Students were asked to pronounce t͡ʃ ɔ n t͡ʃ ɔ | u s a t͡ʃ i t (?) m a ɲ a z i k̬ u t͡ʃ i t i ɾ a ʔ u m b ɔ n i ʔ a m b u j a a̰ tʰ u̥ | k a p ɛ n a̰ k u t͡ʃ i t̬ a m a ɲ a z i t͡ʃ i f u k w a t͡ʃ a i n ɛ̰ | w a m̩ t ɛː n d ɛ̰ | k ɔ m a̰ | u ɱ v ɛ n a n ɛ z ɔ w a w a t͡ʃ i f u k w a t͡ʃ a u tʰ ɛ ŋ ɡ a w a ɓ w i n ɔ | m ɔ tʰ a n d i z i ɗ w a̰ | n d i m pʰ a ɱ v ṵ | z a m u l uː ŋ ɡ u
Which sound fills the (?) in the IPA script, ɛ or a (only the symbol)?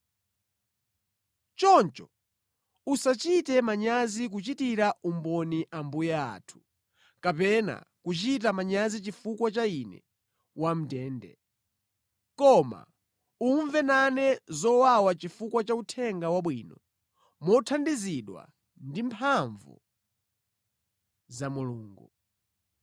ɛ